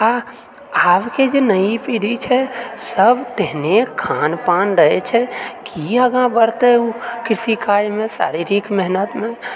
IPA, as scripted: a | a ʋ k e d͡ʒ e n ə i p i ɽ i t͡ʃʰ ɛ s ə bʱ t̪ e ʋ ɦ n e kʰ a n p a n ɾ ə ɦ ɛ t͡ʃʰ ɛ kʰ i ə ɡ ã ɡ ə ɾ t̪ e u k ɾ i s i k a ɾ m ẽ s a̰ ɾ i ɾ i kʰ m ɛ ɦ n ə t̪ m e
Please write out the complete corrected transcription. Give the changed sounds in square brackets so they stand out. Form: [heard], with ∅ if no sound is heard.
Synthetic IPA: a | a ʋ k e d͡ʒ e n ə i p i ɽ i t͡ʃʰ ɛ s ə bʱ t̪ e [∅] ɦ n e kʰ a n p a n ɾ ə ɦ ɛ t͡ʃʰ ɛ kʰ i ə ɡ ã [b] ə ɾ t̪ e u k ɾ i s i k a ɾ m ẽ s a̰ ɾ i ɾ i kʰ m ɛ ɦ n ə t̪ m e